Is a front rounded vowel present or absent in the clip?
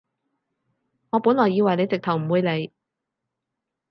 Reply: absent